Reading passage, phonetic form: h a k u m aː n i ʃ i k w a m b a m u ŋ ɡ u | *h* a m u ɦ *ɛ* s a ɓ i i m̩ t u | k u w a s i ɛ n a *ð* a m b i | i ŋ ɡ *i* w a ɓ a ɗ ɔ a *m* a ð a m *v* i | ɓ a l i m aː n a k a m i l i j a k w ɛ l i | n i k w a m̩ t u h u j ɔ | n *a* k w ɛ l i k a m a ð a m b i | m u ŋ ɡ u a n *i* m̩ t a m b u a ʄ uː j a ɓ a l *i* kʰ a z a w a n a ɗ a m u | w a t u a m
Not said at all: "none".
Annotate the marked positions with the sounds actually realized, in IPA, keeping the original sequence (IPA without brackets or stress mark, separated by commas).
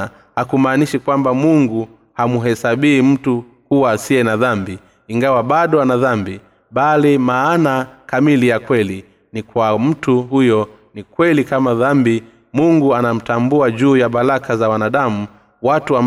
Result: h, ɛ, ð, a, n, b, i, a, a